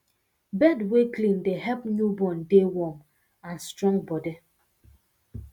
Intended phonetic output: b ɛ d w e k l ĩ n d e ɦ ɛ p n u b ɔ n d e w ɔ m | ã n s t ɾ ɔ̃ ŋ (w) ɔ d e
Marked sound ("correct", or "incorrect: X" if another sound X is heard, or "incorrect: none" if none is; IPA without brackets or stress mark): incorrect: b